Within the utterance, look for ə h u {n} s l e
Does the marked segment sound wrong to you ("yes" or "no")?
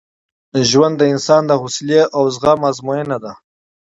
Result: yes